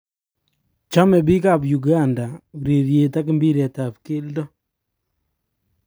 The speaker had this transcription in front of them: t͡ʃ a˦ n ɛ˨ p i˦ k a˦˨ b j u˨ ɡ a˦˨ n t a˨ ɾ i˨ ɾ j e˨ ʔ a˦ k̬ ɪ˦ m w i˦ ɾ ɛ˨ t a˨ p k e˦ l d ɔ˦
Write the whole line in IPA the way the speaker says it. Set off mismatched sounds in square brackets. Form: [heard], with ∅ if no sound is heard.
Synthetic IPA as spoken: t͡ʃ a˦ [m] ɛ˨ [b] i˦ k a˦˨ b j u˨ ɡ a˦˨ n [d] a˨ ɾ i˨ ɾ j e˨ [t] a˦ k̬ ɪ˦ m [b] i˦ ɾ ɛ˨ t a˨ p k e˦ l d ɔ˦